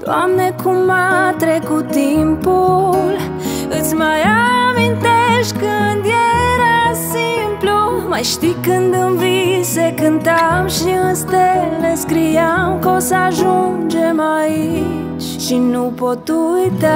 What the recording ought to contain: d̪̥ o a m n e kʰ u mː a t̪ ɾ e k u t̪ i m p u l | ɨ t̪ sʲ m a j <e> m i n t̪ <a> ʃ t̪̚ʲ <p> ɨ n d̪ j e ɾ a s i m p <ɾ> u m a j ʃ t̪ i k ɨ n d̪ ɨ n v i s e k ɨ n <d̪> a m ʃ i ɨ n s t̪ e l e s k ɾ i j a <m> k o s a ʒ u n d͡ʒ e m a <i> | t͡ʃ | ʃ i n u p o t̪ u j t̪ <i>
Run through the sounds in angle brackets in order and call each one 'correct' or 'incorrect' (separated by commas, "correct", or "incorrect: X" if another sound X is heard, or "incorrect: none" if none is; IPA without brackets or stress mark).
incorrect: a, incorrect: e, incorrect: k, incorrect: l, incorrect: t̪, correct, correct, incorrect: a